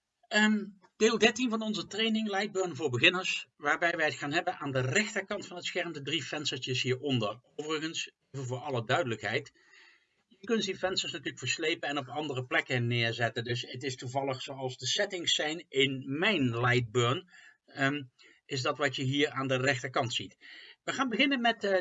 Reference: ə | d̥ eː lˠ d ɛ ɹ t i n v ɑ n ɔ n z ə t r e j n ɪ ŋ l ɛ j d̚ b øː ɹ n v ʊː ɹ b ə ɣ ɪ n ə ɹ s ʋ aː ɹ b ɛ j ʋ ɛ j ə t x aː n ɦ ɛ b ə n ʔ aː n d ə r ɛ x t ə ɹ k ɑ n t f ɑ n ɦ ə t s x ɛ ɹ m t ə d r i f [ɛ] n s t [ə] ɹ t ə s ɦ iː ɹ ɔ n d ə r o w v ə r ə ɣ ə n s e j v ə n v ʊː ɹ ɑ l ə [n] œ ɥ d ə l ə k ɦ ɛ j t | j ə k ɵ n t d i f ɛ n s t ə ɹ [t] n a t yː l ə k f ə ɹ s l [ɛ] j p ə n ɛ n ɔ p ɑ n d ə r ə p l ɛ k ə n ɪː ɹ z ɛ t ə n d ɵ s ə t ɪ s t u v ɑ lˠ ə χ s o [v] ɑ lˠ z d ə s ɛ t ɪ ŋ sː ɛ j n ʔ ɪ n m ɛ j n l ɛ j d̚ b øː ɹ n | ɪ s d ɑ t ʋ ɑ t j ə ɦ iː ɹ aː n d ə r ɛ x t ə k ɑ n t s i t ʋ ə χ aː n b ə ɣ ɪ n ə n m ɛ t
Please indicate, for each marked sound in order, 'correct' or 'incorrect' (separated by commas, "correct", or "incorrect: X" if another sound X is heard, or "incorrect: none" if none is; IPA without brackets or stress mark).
correct, correct, incorrect: d, incorrect: s, incorrect: e, incorrect: w